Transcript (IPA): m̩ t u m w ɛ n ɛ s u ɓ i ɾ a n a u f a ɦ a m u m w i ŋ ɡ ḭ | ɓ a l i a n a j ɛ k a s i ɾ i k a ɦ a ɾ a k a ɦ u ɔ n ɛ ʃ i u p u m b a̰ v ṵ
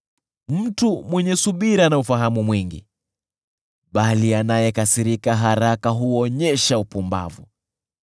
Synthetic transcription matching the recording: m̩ t u m w ɛ ɲ ɛ s u ɓ i ɾ a n a u f a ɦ a m u m w i ŋ ɡ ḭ | ɓ a l i a n a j ɛ k a s i ɾ i k a ɦ a ɾ a k a ɦ u ɔ ɲ ɛ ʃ a u p u m b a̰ v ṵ

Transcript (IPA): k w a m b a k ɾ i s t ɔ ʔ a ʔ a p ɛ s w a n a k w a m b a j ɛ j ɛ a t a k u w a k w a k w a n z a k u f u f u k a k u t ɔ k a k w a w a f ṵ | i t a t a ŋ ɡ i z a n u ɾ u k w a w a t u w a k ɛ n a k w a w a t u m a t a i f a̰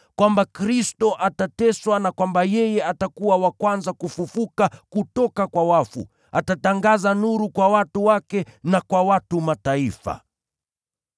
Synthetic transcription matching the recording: k w a m b a k ɾ i s t ɔ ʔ a t a t ɛ s w a n a k w a m b a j ɛ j ɛ a t a k u w a w a k w a n z a k u f u f u k a k u t ɔ k a k w a w a f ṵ | a t a t a ŋ ɡ a z a n u ɾ u k w a w a t u w a k ɛ n a k w a w a t u m a t a i f a̰

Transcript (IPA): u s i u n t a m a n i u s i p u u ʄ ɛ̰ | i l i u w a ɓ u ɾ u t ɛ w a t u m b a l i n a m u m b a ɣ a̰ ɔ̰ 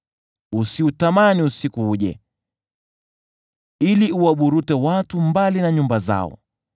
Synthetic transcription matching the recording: u s i u t a m a n i u s i k u u ʄ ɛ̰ | i l i u w a ɓ u ɾ u t ɛ w a t u m b a l i n a ɲ u m b a z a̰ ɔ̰

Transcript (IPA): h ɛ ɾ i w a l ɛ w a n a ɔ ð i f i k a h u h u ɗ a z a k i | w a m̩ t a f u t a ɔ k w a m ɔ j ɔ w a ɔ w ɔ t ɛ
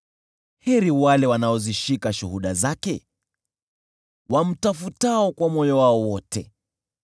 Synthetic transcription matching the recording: h ɛ ɾ i w a l ɛ w a n a ɔ z i ʃ i k a ʃ u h u ɗ a z a k ɛ | w a m̩ t a f u t a ɔ k w a m ɔ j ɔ w a ɔ w ɔ t ɛ

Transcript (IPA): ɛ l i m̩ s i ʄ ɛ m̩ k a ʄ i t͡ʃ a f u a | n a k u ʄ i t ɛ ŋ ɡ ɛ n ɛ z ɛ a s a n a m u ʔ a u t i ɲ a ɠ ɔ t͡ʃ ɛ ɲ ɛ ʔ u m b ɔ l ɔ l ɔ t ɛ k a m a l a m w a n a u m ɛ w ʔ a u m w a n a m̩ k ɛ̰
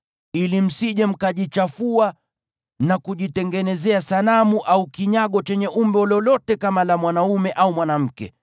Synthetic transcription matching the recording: i l i m̩ s i ʄ ɛ m̩ k a ʄ i t͡ʃ a f u a | n a k u ʄ i t ɛ ŋ ɡ ɛ n ɛ z ɛ a s a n a m u ʔ a u k i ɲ a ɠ ɔ t͡ʃ ɛ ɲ ɛ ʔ u m b ɔ l ɔ l ɔ t ɛ k a m a l a m w a n a u m ɛ ʔ a u m w a n a m̩ k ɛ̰

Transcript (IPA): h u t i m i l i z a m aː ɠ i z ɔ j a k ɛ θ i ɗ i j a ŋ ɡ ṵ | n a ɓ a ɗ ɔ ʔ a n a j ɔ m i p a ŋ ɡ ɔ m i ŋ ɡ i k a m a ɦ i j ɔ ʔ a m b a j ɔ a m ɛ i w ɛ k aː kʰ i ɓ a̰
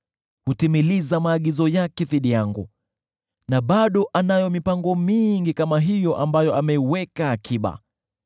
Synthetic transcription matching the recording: h u t i m i l i z a m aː ɠ i z ɔ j a k ɛ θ i ɗ i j a ŋ ɡ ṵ | n a ɓ a ɗ ɔ ʔ a n a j ɔ m i p a ŋ ɡ ɔ m i ŋ ɡ i k a m a ɦ i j ɔ ʔ a m b a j ɔ a m ɛ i w ɛ k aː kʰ i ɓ a̰

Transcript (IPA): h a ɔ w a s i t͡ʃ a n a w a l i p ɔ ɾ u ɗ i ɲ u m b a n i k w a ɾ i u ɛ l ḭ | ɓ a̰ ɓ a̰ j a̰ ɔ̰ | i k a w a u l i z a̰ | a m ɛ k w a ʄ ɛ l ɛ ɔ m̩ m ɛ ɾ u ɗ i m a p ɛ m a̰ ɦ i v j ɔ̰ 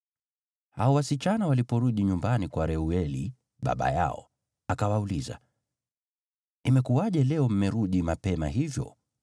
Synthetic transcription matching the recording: h a ɔ w a s i t͡ʃ a n a w a l i p ɔ ɾ u ɗ i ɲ u m b a n i k w a ɾ ɛ u ɛ l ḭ | ɓ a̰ ɓ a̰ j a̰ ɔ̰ | a k a w a u l i z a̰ | i m ɛ k u a ʄ ɛ l ɛ ɔ m̩ m ɛ ɾ u ɗ i m a p ɛ m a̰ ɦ i v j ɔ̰

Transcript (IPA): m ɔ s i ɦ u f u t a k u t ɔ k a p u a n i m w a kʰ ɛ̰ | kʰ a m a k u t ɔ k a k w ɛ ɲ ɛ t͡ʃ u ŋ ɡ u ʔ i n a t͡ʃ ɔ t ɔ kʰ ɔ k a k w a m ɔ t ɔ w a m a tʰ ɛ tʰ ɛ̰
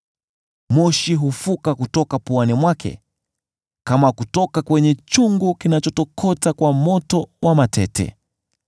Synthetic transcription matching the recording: m ɔ ʃ i ɦ u f u k a k u t ɔ k a p u a n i m w a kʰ ɛ̰ | k a m a k u t ɔ k a k w ɛ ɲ ɛ t͡ʃ u ŋ ɡ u k i n a t͡ʃ ɔ t ɔ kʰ ɔ t a k w a m ɔ t ɔ w a m a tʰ ɛ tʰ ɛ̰

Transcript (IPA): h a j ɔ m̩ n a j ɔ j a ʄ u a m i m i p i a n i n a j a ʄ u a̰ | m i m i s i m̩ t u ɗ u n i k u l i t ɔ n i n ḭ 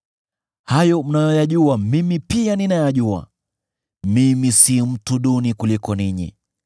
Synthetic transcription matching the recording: h a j ɔ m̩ n a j ɔ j a ʄ u a m i m i p i a n i n a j a ʄ u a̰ | m i m i s i m̩ t u ɗ u n i k u l i k ɔ n i ɲ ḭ

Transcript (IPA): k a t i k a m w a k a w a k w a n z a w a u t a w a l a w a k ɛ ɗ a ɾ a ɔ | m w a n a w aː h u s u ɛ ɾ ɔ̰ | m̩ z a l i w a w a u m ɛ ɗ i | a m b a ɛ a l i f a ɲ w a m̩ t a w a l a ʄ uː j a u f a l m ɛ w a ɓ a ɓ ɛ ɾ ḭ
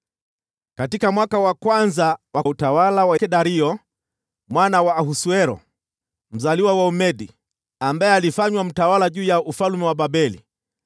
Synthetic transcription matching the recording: k a t i k a m w a k a w a k w a n z a w a u t a w a l a w a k ɛ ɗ a ɾ i ɔ | m w a n a w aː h u s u ɛ ɾ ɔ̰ | m̩ z a l i w a w a u m ɛ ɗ i | a m b a ɛ a l i f a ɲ w a m̩ t a w a l a ʄ uː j a u f a l m ɛ w a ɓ a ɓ ɛ l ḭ

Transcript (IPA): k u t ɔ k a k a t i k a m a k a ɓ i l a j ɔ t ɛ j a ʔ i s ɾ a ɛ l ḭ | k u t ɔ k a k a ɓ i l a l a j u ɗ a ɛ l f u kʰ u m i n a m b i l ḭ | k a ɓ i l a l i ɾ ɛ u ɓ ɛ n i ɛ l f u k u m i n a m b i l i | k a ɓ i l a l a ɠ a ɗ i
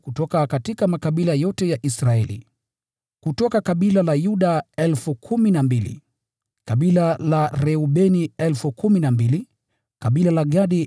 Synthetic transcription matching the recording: k u t ɔ k a k a t i k a m a k a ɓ i l a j ɔ t ɛ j a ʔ i s ɾ a ɛ l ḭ | k u t ɔ k a k a ɓ i l a l a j u ɗ a ɛ l f u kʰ u m i n a m b i l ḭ | k a ɓ i l a l a ɾ ɛ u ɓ ɛ n i ɛ l f u k u m i n a m b i l i | k a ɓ i l a l a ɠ a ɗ i

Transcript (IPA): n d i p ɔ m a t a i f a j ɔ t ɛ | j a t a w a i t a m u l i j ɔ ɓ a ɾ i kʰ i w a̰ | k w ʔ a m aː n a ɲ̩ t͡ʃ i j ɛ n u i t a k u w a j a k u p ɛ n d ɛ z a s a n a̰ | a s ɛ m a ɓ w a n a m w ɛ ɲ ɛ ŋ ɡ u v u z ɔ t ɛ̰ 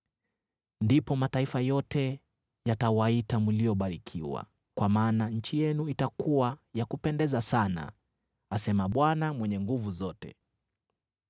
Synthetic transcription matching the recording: n d i p ɔ m a t a i f a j ɔ t ɛ | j a t a w a i t a m u l i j ɔ ɓ a ɾ i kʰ i w a̰ | k w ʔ a m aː n a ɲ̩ t͡ʃ i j ɛ n u i t a k u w a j a k u p ɛ n d ɛ z a s a n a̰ | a s ɛ m a ɓ w a n a m w ɛ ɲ ɛ ŋ ɡ u v u z ɔ t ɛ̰

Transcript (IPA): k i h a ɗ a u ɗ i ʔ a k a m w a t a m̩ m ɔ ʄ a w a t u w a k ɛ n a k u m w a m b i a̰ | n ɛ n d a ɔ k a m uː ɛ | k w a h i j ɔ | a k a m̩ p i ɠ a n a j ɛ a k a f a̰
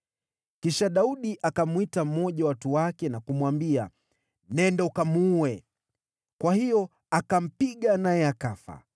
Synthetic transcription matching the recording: k i ʃ a ɗ a u ɗ i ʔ a k a m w i t a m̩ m ɔ ʄ a w a t u w a k ɛ n a k u m w a m b i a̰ | n ɛ n d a u k a m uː ɛ | k w a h i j ɔ | a k a m̩ p i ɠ a n a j ɛ a k a f a̰

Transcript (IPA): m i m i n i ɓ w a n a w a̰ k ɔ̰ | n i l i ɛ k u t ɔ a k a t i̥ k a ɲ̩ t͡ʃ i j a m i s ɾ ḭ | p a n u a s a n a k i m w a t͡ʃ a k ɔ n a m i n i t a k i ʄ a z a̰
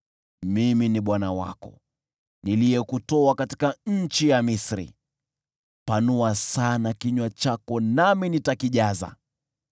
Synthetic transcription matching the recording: m i m i n i ɓ w a n a w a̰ k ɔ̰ | n i l i ɛ k u t ɔ a k a t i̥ k a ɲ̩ t͡ʃ i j a m i s ɾ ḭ | p a n u a s a n a k i ɲ w a t͡ʃ a k ɔ n a m i n i t a k i ʄ a z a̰

